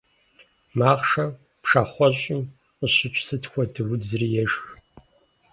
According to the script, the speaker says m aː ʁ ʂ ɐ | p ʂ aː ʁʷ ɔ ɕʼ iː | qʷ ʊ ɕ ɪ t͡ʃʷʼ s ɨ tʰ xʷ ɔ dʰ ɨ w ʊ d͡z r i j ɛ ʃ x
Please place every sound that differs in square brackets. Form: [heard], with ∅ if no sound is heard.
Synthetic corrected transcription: m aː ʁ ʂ ɐ | p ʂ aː [χʷ] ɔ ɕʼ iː | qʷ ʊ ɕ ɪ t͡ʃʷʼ s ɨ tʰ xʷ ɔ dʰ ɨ w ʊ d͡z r i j ɛ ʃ x